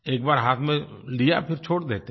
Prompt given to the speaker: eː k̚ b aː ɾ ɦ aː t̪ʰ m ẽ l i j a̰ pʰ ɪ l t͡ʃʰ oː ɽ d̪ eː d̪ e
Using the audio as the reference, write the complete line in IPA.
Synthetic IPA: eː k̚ b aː ɾ ɦ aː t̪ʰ m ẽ l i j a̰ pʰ ɪ ɾ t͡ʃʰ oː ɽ d̪ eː t̪ e